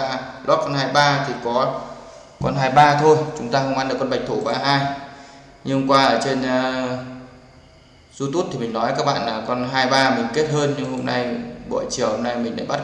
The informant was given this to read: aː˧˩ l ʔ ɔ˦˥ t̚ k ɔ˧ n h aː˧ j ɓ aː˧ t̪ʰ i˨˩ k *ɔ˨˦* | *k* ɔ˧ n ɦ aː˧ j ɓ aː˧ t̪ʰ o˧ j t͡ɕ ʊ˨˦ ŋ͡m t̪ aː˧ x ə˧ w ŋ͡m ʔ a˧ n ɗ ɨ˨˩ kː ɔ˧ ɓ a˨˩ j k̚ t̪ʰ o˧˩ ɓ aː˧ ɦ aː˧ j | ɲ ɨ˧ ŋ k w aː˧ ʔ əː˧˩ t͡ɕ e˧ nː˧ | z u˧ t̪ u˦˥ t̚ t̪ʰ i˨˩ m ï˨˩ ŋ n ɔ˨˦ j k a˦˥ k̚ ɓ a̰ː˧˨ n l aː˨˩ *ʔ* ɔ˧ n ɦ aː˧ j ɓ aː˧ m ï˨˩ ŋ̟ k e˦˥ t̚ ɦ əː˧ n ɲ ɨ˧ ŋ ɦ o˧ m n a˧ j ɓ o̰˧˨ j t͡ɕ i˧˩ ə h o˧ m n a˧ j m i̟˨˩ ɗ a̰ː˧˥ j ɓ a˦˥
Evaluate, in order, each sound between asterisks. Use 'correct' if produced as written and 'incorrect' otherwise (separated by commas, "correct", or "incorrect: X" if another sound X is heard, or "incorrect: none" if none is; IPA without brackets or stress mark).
correct, correct, incorrect: k